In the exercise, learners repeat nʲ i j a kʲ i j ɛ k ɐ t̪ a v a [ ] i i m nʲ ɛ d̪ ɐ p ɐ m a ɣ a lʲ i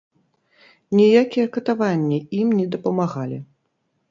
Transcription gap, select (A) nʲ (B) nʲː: B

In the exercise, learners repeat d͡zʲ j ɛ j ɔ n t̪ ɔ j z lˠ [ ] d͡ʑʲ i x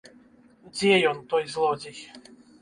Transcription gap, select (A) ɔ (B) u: A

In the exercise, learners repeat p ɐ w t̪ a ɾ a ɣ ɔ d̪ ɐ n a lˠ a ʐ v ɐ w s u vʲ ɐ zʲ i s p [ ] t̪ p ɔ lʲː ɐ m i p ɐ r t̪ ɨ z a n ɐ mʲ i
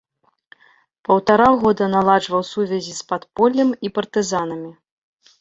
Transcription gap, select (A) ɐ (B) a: B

